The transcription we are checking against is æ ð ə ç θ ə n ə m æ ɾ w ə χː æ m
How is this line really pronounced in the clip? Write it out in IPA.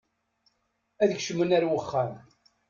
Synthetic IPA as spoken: æ ð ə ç ʃ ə m ə n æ ɾ w ə χː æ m